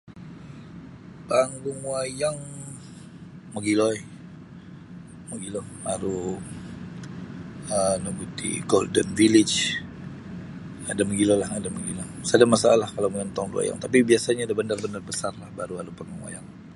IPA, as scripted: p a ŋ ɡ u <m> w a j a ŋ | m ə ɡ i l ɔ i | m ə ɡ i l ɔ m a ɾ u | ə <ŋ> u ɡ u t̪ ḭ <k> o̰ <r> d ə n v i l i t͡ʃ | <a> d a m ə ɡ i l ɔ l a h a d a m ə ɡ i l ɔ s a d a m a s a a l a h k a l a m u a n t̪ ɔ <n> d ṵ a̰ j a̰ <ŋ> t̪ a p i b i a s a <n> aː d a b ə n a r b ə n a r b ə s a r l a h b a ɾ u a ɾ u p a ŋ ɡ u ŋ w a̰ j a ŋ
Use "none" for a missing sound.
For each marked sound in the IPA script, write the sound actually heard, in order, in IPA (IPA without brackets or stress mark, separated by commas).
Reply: ŋ, n, ɡ, l, a, ŋ, ŋ, ɲ